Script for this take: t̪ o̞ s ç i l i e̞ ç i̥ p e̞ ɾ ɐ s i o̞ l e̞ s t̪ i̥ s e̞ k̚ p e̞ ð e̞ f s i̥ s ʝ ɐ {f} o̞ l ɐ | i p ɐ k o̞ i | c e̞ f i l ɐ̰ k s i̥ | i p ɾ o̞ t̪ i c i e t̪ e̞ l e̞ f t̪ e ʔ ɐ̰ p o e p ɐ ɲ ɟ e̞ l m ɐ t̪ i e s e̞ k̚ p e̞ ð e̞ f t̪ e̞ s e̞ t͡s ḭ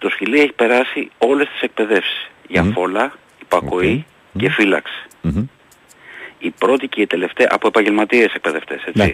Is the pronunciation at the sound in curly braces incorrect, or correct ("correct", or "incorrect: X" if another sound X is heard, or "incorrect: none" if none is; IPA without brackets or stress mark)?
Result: correct